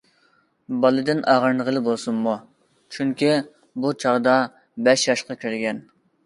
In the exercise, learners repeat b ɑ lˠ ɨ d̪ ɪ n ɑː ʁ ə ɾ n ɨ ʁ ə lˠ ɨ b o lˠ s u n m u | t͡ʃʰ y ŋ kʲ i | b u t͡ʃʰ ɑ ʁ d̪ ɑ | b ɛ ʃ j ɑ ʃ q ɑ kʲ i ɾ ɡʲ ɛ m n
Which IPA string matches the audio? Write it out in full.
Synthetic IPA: b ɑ lˠ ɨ d̪ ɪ n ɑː ʁ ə ɾ n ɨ ʁ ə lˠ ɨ b o lˠ s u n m u | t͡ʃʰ y ŋ kʲ i | b u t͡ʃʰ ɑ ʁ d̪ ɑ | b ɛ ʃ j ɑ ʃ q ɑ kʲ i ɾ ɡʲ ɛ n